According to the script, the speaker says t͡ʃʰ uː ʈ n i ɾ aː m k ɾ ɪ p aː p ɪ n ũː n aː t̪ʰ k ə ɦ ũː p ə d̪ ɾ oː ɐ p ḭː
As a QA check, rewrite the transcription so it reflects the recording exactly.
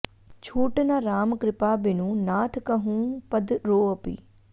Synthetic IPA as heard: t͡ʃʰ uː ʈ n a ɾ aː m k ɾ ɪ p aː b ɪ n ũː n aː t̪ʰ k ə ɦ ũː p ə d̪ ɾ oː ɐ p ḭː